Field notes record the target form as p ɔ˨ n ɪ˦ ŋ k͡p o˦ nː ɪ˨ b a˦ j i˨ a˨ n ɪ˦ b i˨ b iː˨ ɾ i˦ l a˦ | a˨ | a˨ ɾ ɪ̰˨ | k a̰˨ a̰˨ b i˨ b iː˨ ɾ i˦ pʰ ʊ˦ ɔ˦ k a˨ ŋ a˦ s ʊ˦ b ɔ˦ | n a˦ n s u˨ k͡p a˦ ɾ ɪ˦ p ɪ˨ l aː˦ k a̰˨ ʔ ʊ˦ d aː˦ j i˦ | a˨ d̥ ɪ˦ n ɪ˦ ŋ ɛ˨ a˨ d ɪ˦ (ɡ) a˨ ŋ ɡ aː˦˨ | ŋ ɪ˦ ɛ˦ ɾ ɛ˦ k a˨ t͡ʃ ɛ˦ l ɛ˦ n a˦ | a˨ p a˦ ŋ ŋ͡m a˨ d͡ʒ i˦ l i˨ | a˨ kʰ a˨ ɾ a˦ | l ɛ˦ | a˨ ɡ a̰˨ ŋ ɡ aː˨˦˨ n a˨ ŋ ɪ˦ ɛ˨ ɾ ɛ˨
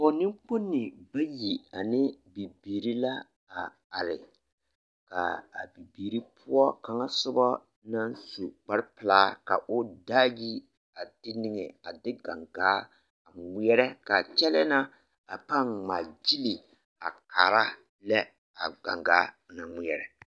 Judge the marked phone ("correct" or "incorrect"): correct